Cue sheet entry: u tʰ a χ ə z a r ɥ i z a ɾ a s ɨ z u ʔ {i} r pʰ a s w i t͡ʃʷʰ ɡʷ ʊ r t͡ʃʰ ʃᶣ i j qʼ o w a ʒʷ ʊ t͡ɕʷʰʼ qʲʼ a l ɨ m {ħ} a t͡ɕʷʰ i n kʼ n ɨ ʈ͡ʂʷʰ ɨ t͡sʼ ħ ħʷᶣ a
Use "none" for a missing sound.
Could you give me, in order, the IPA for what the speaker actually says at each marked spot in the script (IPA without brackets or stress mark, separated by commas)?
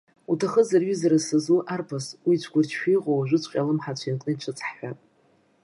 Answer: a, ħ